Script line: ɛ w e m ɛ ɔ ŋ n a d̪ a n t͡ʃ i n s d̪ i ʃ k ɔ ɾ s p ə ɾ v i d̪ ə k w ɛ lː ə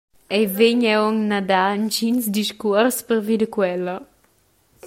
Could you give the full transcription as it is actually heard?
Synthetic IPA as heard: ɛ v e ɲ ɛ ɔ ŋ n a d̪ a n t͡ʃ i n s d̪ i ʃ k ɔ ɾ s p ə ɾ v i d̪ ə k w ɛ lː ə